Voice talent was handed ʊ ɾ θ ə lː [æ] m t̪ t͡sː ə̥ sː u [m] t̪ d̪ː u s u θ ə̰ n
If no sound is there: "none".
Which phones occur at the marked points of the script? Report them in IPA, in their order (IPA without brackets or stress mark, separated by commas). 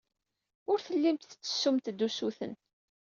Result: i, m